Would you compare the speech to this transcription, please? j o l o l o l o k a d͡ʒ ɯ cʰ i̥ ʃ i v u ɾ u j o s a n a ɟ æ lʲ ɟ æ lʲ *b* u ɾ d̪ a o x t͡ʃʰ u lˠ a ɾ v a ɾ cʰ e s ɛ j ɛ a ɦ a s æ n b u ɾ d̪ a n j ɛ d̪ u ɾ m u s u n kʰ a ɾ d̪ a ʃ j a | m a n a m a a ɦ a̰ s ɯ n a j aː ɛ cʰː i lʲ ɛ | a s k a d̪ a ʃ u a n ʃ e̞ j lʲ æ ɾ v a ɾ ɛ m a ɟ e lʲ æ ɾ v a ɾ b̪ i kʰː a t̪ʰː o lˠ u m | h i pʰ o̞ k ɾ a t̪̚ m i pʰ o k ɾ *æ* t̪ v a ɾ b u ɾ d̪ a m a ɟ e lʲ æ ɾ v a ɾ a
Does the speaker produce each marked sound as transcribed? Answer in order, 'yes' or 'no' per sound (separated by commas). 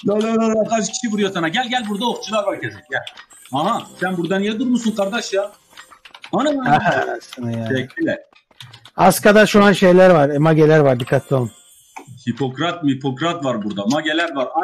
yes, no